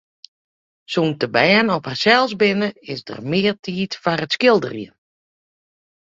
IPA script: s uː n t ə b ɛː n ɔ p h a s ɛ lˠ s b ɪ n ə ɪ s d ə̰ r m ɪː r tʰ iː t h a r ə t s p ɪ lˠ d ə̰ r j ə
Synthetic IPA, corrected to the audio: s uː n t ə b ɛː n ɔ p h a s ɛ lˠ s b ɪ n ə ɪ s d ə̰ r m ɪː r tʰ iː t f a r ə t s k ɪ lˠ d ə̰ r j ə